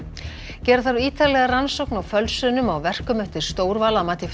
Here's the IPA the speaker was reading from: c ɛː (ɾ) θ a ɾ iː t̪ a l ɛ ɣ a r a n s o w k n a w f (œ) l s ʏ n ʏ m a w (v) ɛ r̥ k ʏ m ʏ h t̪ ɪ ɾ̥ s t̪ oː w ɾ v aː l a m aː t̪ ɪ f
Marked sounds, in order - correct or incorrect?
correct, correct, correct

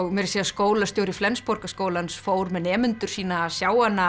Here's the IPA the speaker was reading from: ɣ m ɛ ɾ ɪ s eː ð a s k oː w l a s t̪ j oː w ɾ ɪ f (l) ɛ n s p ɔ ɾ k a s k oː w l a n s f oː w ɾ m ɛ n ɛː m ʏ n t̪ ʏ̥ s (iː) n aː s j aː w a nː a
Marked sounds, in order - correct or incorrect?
correct, correct

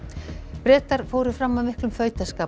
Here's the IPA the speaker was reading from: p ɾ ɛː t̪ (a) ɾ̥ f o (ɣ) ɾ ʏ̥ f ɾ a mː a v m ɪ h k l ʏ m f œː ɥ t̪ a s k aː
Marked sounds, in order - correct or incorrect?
correct, incorrect: w

